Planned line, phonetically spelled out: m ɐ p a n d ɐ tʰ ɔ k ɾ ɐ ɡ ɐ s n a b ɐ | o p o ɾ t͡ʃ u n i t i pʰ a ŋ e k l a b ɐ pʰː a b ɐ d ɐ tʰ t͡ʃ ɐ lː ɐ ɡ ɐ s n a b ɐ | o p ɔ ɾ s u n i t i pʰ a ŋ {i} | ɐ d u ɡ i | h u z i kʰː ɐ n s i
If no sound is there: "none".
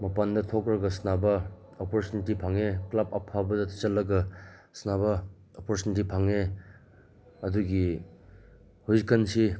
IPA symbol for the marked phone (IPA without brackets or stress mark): e